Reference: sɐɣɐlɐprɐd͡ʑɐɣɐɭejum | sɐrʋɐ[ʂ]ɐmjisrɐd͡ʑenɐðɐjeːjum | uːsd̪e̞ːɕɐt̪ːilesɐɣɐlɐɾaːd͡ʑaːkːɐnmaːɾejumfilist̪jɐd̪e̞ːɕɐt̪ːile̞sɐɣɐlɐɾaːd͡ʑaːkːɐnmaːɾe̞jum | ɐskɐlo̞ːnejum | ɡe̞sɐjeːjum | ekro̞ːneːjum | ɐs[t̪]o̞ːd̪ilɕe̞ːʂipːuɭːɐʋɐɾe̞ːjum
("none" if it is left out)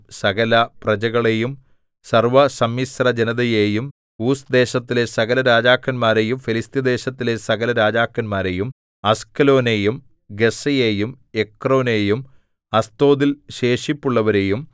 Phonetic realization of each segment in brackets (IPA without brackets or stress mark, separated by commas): s, t̪